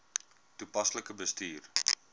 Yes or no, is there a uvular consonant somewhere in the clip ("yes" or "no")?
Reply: no